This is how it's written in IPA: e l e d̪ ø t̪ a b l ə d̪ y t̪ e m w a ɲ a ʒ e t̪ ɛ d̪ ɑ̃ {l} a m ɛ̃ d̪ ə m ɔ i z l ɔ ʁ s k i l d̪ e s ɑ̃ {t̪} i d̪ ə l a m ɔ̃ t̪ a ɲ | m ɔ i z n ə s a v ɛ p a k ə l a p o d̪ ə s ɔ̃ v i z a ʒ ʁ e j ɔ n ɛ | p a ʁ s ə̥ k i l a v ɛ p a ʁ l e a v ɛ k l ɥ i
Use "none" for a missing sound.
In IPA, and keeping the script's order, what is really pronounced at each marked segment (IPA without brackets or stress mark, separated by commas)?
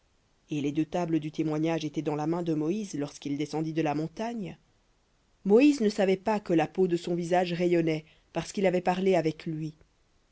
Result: l, d̪